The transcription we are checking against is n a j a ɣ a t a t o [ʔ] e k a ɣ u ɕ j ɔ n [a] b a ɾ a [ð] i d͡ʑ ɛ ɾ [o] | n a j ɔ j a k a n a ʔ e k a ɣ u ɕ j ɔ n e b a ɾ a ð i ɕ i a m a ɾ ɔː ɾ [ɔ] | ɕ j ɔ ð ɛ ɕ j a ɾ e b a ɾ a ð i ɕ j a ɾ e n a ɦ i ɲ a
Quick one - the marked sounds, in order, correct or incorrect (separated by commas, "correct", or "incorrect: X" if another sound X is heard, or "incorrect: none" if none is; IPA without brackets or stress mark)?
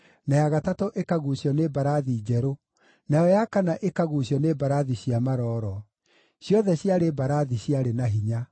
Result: correct, incorrect: e, correct, correct, correct